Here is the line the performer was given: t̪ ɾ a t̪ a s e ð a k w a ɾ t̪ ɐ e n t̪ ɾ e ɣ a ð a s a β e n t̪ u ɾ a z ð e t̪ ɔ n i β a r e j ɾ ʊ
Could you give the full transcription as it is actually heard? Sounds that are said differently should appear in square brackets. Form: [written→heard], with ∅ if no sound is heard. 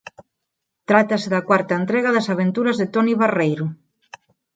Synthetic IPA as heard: t̪ ɾ a t̪ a s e ð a k w a ɾ t̪ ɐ e n t̪ ɾ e ɣ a ð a s a β e n t̪ u ɾ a z ð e t̪ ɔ n i β a r e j ɾ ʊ